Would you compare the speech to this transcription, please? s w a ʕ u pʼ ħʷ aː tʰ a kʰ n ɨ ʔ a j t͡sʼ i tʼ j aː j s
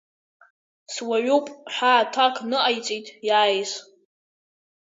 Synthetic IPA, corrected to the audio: s w a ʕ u pʼ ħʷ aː tʰ a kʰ n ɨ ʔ a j t͡sʼ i tʼ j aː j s